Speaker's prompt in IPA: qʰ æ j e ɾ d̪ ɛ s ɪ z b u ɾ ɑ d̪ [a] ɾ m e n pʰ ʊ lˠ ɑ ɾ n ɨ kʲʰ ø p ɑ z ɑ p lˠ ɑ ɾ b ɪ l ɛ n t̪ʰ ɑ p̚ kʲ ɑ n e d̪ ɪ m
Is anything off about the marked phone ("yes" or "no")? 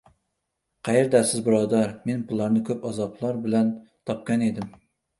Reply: yes